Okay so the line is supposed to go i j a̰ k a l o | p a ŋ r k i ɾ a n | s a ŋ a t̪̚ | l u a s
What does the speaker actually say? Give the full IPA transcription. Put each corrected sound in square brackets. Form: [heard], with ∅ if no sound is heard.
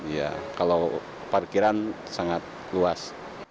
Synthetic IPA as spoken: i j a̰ k a l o | p a [∅] r k i ɾ a n | s a ŋ a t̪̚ | l u a s

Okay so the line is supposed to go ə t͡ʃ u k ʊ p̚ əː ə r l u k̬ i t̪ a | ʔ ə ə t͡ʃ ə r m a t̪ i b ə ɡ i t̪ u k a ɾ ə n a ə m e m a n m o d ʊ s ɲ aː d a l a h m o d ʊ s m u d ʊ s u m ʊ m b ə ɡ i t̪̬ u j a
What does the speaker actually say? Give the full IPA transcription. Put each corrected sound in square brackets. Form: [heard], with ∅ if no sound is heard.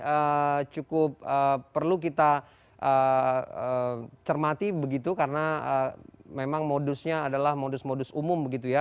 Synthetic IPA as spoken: ə t͡ʃ u k ʊ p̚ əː ə r l u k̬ i t̪ a | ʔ ə ə t͡ʃ ə r m a t̪ i b ə ɡ i t̪ u k a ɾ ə n a ə m e m a [ŋ] m o d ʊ s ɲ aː d a l a h m o d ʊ s m [o] d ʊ s u m ʊ m b ə ɡ i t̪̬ u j a

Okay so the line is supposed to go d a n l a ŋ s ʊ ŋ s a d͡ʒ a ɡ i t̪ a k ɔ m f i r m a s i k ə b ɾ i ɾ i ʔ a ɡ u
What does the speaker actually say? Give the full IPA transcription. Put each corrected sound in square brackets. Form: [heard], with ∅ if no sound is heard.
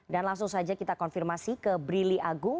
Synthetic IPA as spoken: d a n l a ŋ s ʊ ŋ s a d͡ʒ a [k] i t̪ a k ɔ [n] f i r m a s i k ə b ɾ i [l] i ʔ a ɡ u

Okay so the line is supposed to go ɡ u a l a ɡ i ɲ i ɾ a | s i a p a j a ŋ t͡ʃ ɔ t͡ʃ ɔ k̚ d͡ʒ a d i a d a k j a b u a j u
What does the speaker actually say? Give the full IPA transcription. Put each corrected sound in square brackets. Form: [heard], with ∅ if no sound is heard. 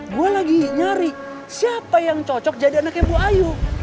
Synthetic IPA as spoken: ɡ u a l a ɡ i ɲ [a] ɾ [i] | s i a p a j a ŋ t͡ʃ ɔ t͡ʃ ɔ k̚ d͡ʒ a d i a [n] a k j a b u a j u

